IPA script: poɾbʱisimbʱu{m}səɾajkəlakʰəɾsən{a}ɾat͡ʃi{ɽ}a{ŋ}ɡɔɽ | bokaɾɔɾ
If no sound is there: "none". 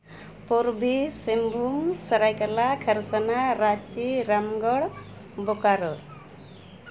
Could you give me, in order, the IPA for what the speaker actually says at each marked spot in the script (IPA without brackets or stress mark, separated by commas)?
m, a, ɾ, m